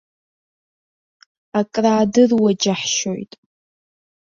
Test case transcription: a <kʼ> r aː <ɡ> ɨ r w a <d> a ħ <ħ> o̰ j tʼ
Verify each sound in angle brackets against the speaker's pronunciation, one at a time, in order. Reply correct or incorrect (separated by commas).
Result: correct, incorrect, incorrect, incorrect